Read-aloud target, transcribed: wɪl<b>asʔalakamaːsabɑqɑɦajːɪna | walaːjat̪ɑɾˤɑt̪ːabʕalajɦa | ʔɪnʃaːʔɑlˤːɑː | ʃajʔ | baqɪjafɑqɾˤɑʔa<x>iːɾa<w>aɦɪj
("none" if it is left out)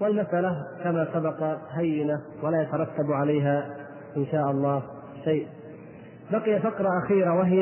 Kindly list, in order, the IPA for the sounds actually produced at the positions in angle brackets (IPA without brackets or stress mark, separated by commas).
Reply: m, x, w